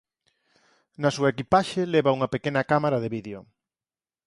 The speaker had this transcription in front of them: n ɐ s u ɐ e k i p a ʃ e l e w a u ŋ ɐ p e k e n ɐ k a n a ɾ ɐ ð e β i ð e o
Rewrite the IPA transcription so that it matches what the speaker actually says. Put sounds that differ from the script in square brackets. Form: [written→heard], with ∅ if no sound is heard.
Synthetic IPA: n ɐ s u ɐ e k i p a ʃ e l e [w→β] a u ŋ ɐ p e k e n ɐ k a [n→m] a ɾ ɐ ð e β i ð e o